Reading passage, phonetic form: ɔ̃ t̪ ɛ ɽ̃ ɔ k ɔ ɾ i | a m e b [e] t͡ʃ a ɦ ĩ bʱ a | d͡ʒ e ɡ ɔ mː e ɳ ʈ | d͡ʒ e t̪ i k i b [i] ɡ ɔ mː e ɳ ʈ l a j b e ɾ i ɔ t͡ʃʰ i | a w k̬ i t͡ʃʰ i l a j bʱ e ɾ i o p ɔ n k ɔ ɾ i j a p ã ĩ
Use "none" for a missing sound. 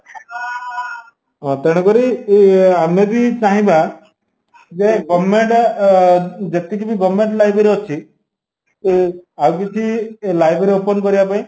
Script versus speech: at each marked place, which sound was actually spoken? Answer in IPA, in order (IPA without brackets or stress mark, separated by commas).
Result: i, i